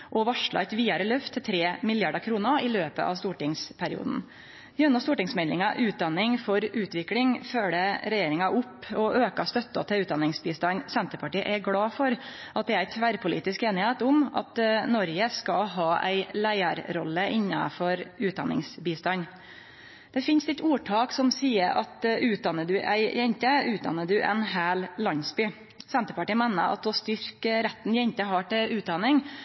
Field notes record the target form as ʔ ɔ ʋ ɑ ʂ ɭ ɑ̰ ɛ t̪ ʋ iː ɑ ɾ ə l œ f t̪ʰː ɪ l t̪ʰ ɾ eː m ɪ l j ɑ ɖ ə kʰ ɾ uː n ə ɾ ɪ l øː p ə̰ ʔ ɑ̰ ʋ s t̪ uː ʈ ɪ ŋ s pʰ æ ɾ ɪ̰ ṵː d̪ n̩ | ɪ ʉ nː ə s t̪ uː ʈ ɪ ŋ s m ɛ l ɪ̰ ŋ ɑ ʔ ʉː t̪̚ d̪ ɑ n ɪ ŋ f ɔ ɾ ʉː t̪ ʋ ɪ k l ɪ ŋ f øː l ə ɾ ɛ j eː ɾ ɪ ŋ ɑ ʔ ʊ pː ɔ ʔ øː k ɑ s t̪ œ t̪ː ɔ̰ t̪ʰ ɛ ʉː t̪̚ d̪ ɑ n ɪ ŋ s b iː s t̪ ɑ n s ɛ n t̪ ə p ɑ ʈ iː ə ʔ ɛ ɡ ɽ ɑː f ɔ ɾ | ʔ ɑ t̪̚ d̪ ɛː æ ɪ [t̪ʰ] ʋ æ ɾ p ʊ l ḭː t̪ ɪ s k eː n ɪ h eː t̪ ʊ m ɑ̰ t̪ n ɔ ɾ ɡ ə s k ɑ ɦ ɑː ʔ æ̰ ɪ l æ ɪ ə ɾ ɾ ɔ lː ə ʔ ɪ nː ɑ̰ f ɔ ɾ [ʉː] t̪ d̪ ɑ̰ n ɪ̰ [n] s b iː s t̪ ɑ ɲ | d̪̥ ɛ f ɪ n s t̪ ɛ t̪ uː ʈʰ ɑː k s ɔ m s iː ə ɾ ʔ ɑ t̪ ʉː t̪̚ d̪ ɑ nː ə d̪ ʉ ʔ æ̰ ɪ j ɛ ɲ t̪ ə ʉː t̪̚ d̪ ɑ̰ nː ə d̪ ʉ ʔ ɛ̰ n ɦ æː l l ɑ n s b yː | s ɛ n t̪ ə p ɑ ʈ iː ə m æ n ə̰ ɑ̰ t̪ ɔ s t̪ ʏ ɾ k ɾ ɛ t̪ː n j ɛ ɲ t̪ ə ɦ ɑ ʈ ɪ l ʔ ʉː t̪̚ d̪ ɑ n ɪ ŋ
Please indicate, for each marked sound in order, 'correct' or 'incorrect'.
correct, correct, incorrect: ŋ

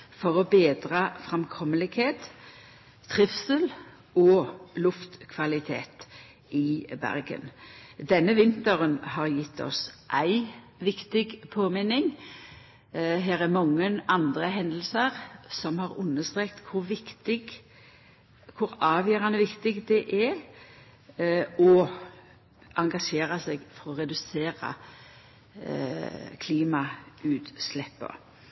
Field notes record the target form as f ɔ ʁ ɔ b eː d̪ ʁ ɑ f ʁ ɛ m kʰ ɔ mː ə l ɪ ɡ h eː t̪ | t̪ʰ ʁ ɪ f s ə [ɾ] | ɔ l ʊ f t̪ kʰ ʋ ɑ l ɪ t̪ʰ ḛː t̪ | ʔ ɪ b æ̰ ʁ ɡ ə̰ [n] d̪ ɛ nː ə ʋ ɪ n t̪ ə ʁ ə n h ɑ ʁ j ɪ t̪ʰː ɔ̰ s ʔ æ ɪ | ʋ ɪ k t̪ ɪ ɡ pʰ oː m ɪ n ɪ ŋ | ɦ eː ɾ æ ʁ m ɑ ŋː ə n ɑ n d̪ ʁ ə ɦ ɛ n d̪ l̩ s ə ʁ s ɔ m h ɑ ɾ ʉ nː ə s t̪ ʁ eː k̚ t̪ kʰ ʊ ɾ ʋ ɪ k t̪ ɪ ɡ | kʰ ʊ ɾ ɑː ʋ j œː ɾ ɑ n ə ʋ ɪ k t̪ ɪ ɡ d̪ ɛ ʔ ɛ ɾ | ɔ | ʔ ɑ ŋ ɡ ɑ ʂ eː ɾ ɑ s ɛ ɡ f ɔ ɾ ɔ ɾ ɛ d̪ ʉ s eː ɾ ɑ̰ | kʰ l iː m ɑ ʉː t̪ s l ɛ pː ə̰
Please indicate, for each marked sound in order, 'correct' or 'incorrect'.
incorrect: l, correct

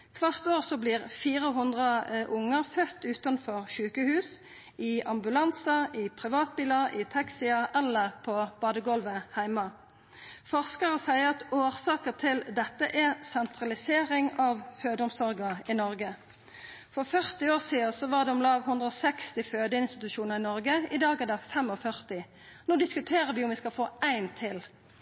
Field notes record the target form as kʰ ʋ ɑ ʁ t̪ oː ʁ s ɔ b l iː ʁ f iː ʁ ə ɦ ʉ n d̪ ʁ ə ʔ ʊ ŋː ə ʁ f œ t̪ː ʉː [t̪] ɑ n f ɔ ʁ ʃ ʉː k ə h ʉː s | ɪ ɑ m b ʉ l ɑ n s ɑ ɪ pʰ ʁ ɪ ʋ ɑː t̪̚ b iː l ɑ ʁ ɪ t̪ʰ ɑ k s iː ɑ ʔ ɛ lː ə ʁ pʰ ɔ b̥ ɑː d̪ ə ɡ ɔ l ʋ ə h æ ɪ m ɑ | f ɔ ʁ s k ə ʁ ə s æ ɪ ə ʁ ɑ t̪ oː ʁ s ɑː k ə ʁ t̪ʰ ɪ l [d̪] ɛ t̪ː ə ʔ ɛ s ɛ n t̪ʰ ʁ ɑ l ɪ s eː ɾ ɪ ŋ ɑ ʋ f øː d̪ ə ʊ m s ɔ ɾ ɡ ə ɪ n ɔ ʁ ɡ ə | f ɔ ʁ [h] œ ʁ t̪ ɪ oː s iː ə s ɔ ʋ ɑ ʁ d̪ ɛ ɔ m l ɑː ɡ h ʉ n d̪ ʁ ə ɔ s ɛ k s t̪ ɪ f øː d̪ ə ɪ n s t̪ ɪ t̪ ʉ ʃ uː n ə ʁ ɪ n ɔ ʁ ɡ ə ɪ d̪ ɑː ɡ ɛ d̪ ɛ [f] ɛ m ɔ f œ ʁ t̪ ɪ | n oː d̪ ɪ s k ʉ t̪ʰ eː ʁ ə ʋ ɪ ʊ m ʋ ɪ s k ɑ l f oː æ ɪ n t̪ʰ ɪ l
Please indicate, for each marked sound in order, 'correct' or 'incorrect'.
correct, correct, incorrect: f, correct

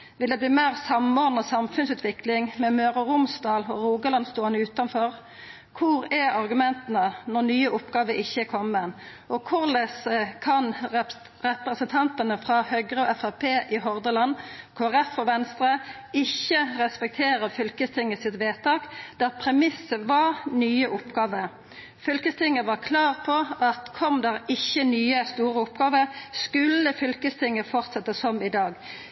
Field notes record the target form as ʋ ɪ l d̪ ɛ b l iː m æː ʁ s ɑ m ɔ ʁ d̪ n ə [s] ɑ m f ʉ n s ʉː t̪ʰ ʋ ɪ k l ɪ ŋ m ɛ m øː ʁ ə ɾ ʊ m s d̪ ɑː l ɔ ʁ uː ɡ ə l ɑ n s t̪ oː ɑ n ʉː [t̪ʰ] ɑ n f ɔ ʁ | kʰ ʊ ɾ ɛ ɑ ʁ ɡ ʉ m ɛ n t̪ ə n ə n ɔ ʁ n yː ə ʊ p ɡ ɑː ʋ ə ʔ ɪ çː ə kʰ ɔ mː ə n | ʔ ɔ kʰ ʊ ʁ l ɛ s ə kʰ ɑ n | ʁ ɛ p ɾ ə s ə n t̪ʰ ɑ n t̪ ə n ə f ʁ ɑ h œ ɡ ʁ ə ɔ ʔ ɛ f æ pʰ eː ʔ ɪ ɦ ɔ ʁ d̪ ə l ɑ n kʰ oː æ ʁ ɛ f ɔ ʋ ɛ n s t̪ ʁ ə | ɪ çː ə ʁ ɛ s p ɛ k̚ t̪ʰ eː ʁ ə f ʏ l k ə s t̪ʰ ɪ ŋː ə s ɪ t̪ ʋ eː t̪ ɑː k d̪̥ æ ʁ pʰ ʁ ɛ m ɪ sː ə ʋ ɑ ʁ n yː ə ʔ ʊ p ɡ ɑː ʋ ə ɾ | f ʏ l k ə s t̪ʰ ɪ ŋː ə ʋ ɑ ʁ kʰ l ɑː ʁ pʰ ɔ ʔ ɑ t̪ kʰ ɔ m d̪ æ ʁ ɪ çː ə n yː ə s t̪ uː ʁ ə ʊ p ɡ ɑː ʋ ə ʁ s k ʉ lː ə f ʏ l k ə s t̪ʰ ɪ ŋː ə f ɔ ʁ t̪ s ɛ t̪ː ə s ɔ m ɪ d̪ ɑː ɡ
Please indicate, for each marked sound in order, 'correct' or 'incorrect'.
correct, incorrect: t̪

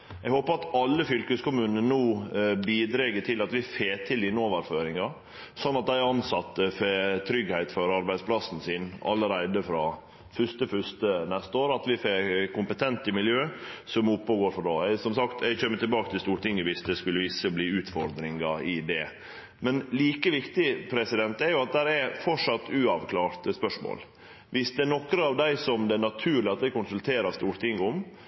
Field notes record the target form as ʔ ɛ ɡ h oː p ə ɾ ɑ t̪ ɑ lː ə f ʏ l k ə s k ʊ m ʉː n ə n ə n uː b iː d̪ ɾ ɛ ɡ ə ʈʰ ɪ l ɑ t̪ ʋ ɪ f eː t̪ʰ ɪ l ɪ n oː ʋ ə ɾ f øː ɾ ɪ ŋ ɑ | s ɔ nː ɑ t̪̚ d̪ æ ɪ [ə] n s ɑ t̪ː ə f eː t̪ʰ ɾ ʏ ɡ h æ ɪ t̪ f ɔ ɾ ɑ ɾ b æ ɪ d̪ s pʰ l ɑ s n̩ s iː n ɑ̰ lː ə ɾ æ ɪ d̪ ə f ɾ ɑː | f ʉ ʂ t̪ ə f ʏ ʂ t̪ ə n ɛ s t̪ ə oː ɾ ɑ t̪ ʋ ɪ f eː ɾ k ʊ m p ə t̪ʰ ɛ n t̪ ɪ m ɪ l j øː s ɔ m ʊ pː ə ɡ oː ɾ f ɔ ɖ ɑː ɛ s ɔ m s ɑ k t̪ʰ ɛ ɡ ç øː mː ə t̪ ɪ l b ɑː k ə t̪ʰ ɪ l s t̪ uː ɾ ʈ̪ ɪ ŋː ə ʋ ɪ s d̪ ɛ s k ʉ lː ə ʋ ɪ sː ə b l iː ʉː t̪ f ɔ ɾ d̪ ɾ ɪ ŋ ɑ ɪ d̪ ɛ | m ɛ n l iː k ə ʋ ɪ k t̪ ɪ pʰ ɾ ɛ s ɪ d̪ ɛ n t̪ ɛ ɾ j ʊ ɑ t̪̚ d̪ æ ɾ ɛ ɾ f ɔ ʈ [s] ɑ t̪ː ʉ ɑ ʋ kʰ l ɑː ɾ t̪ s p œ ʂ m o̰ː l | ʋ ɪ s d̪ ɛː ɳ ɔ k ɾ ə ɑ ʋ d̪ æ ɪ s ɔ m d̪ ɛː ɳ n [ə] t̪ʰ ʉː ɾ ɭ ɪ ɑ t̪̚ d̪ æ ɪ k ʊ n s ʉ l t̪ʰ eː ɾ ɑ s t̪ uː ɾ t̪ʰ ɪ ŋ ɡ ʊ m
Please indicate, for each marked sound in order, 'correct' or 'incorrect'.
incorrect: ɑ, incorrect: ʂ, incorrect: ɑ

